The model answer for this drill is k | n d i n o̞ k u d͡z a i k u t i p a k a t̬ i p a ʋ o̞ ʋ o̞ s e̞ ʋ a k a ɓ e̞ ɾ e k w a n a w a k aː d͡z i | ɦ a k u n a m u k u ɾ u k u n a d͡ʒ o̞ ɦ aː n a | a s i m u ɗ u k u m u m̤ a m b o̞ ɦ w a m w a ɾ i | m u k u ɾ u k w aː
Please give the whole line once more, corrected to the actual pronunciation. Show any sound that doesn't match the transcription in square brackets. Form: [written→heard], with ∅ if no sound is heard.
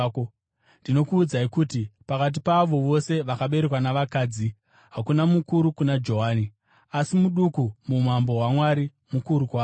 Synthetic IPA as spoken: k | n d i n o̞ k [u→uː] d͡z a i k u t i p a k a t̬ i p a ʋ o̞ ʋ o̞ s e̞ ʋ a k a ɓ e̞ ɾ e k w a n a [w→ʋ] a k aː d͡z i | ɦ a k u n a m u k u ɾ u k u n a d͡ʒ o̞ ɦ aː n [a→i] | a s i m u ɗ u k u m u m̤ a m b o̞ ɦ w a m w a ɾ i | m u k u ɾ u k w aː